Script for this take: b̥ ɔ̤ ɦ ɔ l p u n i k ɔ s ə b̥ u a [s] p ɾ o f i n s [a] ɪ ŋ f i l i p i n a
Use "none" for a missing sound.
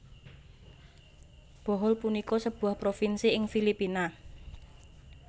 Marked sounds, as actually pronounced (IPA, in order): h, i

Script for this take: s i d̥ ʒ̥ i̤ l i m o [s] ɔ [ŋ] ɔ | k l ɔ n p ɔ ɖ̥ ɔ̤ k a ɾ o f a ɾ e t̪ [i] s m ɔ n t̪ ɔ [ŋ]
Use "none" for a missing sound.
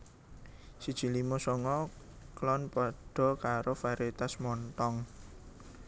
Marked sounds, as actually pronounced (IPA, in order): s, ŋ, a, ŋ

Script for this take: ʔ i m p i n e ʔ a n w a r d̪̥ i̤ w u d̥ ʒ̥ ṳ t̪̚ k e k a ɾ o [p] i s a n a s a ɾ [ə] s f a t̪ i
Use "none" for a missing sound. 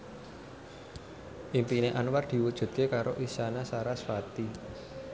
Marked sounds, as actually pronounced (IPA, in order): ʔ, a

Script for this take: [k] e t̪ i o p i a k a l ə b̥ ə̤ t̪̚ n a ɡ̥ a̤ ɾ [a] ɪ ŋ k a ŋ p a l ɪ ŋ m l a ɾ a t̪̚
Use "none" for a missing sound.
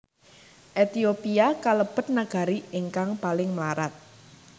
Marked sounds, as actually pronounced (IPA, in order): ʔ, i

